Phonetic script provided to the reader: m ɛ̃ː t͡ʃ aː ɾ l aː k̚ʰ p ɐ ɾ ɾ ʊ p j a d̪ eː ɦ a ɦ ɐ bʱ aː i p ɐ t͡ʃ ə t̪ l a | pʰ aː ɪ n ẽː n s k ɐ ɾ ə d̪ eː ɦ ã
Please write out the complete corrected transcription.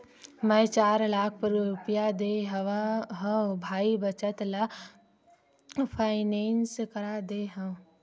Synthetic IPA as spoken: m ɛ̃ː t͡ʃ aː ɾ l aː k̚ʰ p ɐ ɾ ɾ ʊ p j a d̪ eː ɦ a ɦ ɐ bʱ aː i b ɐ t͡ʃ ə t̪ l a | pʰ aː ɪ n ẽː n s k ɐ ɾ a d̪ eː ɦ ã

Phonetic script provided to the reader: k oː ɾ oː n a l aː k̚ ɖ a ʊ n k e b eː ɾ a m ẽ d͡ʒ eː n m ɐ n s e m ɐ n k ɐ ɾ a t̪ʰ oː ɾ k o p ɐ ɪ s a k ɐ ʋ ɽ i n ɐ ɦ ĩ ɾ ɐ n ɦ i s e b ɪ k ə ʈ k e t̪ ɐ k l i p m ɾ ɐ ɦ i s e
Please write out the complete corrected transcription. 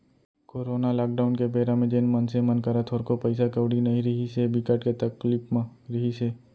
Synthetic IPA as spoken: k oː ɾ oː n a l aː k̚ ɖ a ʊ n k e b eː ɾ a m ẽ d͡ʒ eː n m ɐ n s e m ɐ n k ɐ ɾ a t̪ʰ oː ɾ k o p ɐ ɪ s a k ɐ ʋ ɽ i n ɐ ɦ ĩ ɾ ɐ ɦ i s e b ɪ k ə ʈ k e t̪ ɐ k l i p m ɾ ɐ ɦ i s e

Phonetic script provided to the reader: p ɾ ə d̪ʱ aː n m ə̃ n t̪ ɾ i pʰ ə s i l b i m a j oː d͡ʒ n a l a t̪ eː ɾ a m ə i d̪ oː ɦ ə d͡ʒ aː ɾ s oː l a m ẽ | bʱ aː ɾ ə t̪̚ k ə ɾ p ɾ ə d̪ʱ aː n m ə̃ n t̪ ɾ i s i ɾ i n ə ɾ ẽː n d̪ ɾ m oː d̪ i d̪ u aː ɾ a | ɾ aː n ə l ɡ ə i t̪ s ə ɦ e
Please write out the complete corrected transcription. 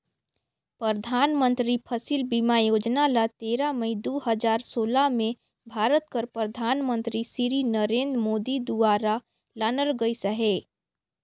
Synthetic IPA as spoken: p ɾ ə d̪ʱ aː n m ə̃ n t̪ ɾ i pʰ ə s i l b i m a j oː d͡ʒ n a l a t̪ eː ɾ a m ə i d̪ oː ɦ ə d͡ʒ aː ɾ s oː l a m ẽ | bʱ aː ɾ ə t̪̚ k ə ɾ p ɾ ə d̪ʱ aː n m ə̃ n t̪ ɾ i s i ɾ i n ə ɾ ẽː n d̪ ɾ m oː d̪ i d̪ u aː ɾ a | l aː n ə l ɡ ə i s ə ɦ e

